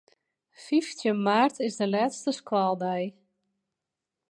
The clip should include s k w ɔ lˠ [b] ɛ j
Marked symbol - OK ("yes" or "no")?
no